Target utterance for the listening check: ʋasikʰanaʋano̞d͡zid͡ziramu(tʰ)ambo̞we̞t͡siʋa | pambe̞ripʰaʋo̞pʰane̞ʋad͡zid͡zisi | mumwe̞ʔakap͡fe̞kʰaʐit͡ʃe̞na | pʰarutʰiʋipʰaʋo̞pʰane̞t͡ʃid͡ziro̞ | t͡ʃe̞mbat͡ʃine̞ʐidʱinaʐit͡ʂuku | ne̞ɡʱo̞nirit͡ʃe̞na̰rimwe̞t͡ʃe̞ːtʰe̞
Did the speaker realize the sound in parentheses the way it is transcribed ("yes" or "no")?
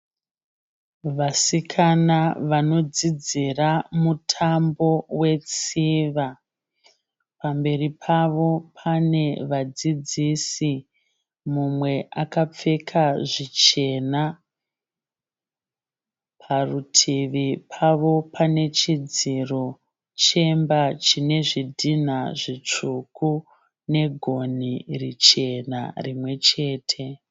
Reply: yes